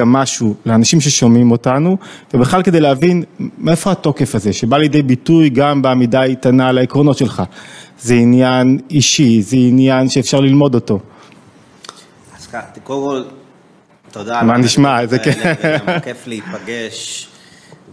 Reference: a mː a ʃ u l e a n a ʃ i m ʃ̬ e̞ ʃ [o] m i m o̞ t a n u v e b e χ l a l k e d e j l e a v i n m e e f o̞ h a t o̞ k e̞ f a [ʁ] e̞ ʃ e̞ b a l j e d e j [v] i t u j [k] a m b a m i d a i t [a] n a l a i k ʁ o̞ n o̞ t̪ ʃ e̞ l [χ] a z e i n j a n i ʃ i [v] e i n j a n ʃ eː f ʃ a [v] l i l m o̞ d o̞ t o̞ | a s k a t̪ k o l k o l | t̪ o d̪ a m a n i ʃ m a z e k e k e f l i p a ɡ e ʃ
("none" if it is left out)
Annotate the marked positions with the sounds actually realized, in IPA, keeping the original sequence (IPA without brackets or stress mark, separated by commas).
o, z, b, ɡ, a, χ, z, ʁ